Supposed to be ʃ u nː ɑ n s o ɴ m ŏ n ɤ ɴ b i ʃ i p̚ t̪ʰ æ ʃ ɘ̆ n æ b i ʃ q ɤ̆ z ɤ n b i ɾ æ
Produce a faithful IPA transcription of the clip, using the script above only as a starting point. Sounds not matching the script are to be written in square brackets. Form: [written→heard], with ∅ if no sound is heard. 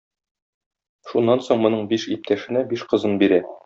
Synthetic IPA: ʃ u nː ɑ n s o ɴ m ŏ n ɤ ɴ b i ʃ i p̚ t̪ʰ æ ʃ ɘ̆ n æ b i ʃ q ɤ̆ z ɤ n b i ɾ æ